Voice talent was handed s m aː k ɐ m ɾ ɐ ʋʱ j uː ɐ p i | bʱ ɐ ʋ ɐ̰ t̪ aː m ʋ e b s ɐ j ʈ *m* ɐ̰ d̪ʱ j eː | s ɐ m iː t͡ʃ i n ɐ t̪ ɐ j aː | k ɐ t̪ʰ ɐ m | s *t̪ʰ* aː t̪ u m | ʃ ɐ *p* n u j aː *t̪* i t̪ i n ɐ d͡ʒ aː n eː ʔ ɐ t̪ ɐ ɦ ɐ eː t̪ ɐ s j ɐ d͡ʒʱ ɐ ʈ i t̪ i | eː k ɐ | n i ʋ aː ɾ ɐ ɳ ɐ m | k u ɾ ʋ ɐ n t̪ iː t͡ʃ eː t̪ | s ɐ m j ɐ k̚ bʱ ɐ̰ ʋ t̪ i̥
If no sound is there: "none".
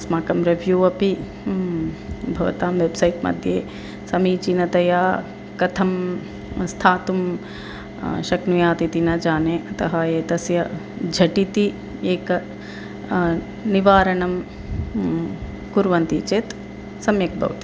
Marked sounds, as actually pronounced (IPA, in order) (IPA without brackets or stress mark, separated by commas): m, t̪ʰ, k, t̪